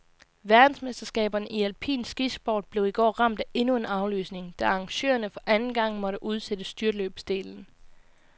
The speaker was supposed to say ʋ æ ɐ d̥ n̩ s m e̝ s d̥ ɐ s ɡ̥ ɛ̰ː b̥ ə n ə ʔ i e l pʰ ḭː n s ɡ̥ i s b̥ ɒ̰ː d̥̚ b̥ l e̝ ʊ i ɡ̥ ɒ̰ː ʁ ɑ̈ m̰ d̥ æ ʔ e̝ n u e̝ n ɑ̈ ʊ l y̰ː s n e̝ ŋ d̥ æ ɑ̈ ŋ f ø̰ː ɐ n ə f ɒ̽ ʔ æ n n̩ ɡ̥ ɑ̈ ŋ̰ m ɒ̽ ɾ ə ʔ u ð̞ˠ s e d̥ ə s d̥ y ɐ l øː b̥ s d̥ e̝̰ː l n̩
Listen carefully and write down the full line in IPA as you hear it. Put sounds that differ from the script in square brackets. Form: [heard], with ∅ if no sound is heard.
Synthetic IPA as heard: ʋ æ ɐ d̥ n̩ s m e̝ s d̥ ɐ s ɡ̥ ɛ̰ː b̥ [ɐ] n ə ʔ i [æ] l pʰ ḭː n s ɡ̥ i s b̥ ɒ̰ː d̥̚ b̥ l e̝ ʊ i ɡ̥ ɒ̰ː ʁ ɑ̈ m̰ d̥ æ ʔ e̝ n u e̝ n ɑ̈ ʊ l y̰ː s n e̝ ŋ d̥ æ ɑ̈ ŋ [ɕ] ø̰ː ɐ n ə f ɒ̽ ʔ æ n n̩ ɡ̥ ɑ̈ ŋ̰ m ɒ̽ ɾ ə ʔ u ð̞ˠ s e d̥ ə s d̥ y ɐ l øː b̥ s d̥ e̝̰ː l n̩